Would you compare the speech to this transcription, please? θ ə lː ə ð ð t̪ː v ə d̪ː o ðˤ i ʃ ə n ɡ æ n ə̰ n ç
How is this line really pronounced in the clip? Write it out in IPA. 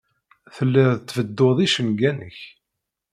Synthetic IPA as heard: θ ə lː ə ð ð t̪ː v ə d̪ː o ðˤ i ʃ ə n ɡ æ n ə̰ ç

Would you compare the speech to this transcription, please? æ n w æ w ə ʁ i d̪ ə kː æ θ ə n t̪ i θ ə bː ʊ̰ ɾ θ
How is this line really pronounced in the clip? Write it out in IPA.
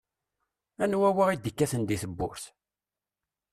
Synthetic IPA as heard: æ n w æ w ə ʁ i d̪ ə kː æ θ ə n d̪ i θ ə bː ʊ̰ ɾ θ

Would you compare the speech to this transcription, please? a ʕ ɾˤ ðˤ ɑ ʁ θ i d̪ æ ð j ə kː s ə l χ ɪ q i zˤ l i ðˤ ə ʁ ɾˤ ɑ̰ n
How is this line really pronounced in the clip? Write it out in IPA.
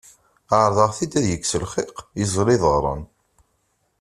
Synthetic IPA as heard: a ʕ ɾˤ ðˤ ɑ ʁ θ i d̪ æ ð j ə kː s ə l χ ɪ q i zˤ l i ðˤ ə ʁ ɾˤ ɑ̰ n

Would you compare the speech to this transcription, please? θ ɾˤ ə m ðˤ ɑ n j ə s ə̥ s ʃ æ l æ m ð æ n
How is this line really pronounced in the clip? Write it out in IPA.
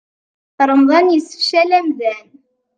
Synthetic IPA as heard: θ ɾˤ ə m ðˤ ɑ n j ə s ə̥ f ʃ æ l æ m ð æ n

